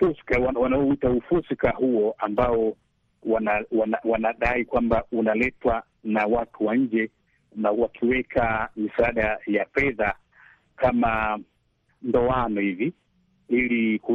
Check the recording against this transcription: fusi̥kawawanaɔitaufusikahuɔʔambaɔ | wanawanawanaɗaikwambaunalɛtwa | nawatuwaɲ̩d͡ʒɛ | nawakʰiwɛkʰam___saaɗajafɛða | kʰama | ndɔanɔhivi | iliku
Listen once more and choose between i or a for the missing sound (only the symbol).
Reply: i